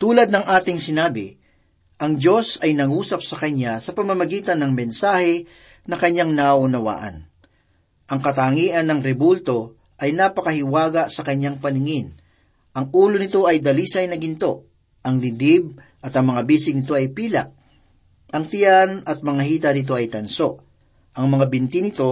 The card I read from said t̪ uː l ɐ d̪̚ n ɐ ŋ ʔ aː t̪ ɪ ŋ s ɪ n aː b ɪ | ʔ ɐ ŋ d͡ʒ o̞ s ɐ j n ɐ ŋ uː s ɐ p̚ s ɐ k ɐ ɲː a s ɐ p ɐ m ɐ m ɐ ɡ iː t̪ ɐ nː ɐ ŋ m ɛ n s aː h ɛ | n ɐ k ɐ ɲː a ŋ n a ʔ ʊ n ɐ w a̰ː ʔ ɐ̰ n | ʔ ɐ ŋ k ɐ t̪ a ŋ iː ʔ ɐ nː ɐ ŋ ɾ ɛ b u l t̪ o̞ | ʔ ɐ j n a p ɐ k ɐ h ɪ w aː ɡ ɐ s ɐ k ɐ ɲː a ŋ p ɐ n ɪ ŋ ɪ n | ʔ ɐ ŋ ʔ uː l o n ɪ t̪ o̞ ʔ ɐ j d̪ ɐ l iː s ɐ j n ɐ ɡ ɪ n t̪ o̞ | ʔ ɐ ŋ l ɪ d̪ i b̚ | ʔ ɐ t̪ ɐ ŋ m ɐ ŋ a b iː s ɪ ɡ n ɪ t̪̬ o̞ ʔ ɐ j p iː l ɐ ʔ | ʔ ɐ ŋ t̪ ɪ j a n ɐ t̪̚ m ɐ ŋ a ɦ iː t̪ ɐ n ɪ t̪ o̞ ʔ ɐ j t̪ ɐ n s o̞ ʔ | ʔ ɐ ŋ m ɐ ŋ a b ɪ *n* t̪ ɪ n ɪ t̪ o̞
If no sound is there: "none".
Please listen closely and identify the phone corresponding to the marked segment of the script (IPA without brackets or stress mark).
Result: n